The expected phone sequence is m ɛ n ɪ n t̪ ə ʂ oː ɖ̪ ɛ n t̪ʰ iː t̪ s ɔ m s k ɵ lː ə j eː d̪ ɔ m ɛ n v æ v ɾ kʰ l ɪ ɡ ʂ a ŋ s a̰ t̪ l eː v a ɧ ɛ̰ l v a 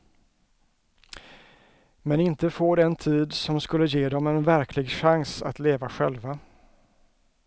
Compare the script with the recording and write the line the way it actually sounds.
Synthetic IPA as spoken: m ɛ n ɪ n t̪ ə f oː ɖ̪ ɛ n t̪ʰ iː d̪ s ɔ m s k ɵ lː ə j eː d̪ ɔ m ɛ n v æ ɾ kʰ l ɪ ɡ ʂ a ŋ s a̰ t̪ l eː v a ɧ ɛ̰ l v a